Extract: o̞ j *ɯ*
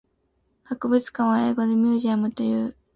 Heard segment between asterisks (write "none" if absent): ɯː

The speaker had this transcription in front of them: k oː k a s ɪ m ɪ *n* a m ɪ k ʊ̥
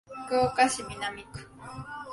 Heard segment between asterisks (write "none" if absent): n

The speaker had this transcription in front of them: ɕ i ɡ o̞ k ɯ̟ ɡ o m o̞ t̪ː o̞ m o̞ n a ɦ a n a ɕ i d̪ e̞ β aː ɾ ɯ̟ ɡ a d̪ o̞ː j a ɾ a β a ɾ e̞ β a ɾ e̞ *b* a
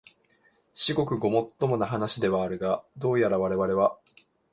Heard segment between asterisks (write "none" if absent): β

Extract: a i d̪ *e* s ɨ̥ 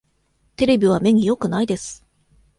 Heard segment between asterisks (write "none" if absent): e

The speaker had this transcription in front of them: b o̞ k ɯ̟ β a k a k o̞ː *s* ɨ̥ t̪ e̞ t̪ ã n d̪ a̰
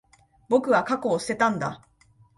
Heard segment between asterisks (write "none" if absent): s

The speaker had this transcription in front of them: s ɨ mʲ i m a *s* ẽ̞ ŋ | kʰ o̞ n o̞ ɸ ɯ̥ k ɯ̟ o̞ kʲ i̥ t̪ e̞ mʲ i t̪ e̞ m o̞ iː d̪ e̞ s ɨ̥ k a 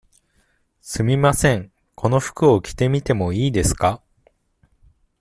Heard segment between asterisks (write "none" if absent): s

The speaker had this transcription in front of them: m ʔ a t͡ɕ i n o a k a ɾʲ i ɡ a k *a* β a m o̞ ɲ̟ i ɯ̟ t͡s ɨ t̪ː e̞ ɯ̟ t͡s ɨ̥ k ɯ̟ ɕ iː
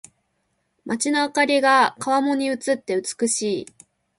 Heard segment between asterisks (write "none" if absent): a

